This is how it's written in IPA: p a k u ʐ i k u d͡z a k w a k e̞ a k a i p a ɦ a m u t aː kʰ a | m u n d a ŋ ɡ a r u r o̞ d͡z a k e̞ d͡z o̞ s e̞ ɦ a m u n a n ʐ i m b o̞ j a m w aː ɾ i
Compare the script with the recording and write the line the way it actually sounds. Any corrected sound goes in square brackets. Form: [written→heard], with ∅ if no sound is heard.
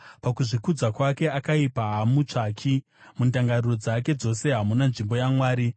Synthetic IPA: p a k u ʐ i k u d͡z a k w a k e̞ a k a i p a ɦ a m u [t→t͡ʂ] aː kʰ [a→i] | m u n d a ŋ ɡ a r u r o̞ d͡z a k e̞ d͡z o̞ s e̞ ɦ a m u n a n ʐ i m b o̞ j a m w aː ɾ i